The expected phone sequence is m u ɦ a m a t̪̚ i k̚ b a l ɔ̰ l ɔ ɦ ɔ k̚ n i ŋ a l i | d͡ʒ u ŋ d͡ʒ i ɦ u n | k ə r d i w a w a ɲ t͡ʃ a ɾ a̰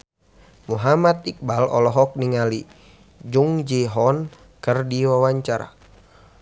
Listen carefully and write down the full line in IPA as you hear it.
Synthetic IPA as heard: m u ɦ a m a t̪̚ i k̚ b a l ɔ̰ l ɔ ɦ ɔ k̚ n i ŋ a l i | d͡ʒ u ŋ d͡ʒ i ɦ ɔ n | k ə r d i w a w a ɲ t͡ʃ a ɾ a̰